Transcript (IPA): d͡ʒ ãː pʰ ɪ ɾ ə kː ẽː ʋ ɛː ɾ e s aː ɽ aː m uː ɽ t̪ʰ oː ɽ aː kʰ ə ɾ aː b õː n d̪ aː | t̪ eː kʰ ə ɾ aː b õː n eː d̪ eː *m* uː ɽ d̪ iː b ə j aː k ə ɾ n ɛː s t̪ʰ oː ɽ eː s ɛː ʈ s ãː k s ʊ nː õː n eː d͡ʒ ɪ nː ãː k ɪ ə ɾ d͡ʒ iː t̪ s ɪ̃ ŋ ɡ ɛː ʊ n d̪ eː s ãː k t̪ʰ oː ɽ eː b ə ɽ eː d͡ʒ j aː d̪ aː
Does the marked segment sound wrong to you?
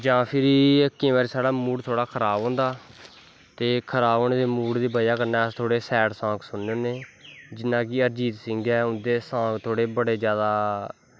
no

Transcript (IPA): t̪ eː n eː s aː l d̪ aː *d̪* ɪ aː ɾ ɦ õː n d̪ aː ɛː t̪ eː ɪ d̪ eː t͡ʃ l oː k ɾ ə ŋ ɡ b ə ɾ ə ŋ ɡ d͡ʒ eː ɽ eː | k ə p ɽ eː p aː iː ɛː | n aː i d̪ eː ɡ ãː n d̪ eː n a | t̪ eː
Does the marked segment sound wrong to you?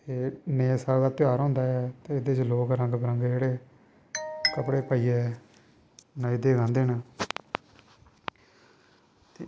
yes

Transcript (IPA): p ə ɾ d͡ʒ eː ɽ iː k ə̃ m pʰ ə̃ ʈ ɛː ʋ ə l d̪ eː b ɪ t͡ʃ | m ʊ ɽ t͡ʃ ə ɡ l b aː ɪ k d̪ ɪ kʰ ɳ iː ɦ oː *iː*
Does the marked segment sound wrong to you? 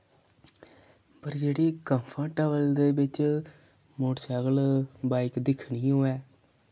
yes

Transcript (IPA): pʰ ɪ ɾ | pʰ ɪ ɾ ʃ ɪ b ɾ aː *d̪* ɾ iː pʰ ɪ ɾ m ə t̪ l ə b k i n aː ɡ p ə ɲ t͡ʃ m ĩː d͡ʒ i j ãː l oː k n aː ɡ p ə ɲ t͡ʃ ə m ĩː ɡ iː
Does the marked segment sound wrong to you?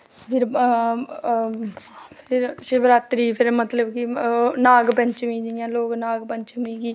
yes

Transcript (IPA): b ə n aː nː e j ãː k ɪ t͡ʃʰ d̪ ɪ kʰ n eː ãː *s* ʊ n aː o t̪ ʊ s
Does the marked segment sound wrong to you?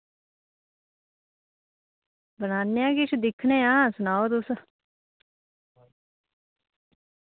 no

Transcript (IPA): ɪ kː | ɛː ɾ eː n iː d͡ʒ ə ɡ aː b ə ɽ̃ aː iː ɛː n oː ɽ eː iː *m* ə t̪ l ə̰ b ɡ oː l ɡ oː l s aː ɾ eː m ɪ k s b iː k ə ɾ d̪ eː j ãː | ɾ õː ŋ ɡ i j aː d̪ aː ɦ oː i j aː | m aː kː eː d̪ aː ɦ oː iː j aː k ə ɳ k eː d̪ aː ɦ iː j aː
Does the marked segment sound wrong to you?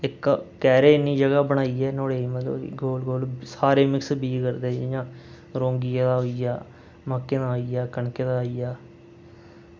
no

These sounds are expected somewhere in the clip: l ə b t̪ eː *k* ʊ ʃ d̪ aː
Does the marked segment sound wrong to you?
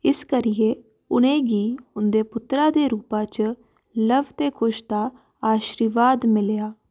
yes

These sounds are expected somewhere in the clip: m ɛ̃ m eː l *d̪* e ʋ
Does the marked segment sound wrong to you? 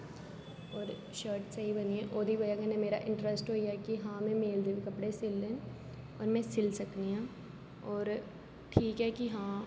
no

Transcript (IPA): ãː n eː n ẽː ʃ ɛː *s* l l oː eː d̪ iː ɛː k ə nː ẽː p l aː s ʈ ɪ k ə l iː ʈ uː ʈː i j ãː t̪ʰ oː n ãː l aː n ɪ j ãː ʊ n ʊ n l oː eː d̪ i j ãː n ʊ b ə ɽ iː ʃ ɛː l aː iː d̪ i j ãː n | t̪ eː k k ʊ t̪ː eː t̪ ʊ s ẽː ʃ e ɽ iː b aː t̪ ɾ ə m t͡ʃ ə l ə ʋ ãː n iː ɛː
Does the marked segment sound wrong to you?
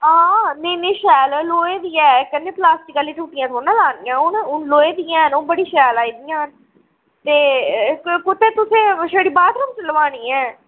yes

